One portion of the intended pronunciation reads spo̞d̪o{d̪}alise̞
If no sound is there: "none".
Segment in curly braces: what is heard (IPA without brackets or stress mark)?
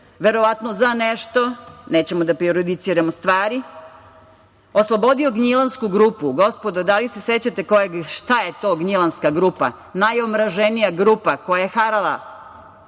d̪